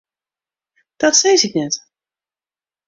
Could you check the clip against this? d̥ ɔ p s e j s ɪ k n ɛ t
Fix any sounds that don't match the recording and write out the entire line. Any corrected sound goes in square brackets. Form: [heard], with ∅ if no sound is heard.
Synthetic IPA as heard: d̥ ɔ [t] s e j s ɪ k n ɛ t